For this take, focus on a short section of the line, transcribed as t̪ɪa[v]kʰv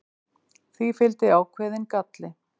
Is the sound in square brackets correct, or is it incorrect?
incorrect